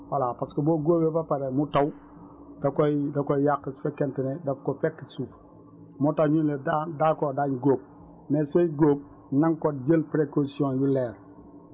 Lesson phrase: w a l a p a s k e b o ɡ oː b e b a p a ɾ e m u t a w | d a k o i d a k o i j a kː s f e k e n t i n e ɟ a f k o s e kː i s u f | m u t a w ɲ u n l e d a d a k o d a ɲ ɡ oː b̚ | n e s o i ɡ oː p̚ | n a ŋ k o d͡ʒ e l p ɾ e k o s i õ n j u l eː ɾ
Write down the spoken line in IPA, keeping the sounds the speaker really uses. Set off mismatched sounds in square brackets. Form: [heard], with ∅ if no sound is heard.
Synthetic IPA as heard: w a l a p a s k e b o ɡ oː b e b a p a ɾ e m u t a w | d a k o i d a k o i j a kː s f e k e n t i n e [d] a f k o [f] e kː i s u f | m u t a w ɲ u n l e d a d a k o d a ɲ ɡ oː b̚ | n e s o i ɡ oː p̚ | n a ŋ k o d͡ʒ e l p ɾ e k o s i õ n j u l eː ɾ